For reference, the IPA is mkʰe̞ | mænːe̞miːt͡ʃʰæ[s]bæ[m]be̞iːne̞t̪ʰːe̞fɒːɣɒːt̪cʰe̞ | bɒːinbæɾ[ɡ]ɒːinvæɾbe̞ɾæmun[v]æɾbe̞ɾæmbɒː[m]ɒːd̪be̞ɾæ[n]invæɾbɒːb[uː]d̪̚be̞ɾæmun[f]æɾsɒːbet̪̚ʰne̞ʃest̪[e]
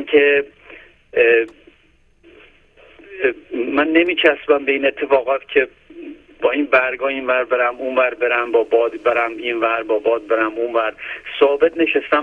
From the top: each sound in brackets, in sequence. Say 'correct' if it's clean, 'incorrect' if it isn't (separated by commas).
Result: correct, correct, correct, correct, incorrect, incorrect, incorrect, incorrect, incorrect